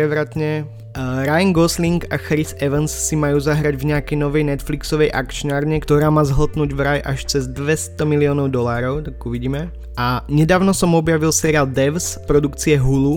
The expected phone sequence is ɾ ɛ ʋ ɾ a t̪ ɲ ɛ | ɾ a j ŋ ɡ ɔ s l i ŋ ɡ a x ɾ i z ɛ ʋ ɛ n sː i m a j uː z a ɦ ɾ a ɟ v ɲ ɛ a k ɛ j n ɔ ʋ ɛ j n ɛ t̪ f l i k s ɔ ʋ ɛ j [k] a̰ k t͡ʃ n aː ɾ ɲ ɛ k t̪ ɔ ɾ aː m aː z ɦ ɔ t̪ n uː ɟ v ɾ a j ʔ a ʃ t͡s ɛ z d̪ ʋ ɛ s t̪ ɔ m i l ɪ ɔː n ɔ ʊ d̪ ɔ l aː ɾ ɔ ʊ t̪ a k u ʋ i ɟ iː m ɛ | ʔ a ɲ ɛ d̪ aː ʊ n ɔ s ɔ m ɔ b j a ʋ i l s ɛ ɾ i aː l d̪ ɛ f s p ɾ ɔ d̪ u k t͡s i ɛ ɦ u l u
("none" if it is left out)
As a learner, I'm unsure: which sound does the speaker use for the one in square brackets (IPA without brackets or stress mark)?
ʔ